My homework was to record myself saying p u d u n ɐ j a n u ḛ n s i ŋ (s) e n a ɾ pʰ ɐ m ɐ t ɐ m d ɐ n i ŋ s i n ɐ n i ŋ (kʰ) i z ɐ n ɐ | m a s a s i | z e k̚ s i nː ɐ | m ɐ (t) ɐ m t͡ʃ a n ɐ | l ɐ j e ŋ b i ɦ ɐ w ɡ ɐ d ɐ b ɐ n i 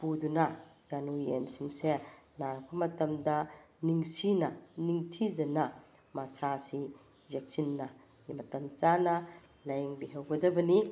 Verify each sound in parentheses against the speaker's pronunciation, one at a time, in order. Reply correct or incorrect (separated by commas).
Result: correct, incorrect, correct